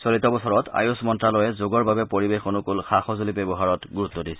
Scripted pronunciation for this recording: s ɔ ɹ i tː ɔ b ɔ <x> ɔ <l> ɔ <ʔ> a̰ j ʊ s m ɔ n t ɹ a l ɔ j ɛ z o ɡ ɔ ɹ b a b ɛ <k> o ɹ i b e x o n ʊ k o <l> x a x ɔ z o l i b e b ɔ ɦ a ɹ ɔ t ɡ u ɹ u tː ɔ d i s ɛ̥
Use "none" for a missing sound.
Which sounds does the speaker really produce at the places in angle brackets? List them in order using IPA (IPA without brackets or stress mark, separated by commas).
s, ɹ, t, p, l